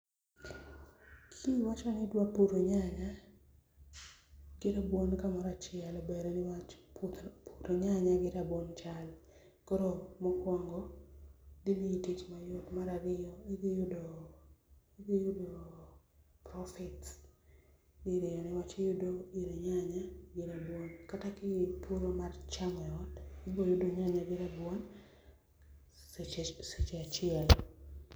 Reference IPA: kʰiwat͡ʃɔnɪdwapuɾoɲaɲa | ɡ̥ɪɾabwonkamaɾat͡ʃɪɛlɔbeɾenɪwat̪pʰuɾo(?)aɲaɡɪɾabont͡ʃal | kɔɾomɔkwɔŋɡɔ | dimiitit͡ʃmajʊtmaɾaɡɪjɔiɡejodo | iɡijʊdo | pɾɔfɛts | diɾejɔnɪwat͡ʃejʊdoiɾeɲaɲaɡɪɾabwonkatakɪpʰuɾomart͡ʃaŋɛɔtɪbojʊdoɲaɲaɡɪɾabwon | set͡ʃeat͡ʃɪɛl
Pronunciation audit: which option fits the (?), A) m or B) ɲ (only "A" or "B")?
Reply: B